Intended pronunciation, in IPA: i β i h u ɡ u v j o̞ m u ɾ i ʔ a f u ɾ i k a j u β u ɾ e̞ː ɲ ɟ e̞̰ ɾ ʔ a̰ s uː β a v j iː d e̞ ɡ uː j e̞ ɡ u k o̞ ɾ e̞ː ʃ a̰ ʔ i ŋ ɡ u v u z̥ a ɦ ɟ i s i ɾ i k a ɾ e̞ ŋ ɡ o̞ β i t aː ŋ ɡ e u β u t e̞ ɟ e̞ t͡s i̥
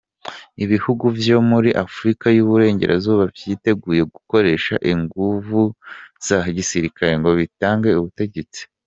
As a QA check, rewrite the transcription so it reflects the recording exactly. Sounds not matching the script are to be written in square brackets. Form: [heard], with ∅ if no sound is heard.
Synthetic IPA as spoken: i β i h u ɡ u v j o̞ m u ɾ i ʔ a f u ɾ i k a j u β u ɾ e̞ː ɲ ɟ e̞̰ ɾ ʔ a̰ [z] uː β a v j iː [t] e̞ ɡ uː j e̞ ɡ u k o̞ ɾ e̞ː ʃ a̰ ʔ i ŋ ɡ u v u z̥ a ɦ ɟ i s i ɾ i k a ɾ e̞ ŋ ɡ o̞ β i t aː ŋ ɡ e u β u t e̞ ɟ e̞ t͡s i̥